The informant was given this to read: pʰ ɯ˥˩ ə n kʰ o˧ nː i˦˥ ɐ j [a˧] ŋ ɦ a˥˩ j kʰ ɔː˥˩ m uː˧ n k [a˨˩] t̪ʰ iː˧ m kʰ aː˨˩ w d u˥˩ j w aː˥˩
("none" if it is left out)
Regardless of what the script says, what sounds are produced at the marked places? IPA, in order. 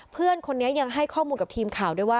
a˧, a˨˩

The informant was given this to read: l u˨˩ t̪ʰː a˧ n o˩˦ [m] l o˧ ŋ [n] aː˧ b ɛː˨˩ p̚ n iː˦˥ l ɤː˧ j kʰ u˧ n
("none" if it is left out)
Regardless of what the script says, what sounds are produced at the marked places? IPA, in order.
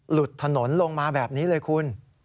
n, m

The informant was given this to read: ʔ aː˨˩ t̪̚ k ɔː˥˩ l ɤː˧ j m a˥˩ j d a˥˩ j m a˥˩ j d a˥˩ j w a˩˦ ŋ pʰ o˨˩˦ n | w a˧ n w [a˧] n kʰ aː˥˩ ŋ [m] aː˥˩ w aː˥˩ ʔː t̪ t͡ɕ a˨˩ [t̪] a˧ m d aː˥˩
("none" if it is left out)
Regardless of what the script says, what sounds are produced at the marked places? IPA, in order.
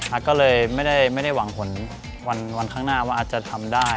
a˧, n, t̪ʰ

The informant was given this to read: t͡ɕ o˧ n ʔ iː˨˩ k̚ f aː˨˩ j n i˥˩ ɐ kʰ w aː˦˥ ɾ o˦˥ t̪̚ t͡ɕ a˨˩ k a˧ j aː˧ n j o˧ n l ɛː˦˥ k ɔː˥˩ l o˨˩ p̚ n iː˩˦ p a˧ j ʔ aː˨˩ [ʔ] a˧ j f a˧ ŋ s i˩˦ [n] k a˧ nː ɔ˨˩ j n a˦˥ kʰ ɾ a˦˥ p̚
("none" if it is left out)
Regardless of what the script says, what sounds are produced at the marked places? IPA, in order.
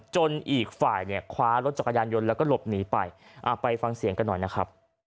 p, ŋ

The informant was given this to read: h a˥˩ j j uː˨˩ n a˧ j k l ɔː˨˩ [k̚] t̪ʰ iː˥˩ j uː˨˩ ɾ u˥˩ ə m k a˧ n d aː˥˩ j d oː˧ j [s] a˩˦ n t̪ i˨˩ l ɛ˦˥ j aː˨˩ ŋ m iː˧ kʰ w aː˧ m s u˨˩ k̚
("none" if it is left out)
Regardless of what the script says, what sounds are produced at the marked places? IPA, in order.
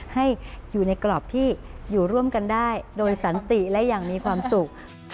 p̚, s

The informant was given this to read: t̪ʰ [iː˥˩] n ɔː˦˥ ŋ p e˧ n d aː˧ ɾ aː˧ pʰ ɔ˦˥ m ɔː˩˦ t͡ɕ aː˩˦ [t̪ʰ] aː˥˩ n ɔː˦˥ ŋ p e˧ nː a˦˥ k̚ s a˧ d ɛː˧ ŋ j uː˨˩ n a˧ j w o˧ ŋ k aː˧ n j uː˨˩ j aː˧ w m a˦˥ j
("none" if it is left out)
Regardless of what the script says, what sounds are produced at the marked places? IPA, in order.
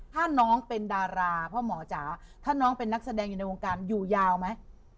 aː˥˩, t̪ʰ

